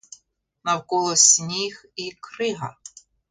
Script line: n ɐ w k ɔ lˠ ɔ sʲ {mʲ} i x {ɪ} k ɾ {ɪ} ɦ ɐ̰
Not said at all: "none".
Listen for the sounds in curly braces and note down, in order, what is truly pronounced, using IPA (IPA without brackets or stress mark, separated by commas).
nʲ, i, ɪ